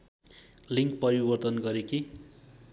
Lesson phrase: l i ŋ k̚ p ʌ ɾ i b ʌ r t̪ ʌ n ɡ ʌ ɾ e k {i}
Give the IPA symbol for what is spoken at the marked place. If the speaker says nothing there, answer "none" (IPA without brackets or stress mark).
i